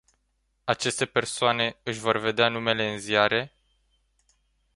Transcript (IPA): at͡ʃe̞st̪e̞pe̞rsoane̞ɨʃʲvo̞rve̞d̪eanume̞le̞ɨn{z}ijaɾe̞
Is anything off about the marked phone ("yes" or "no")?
no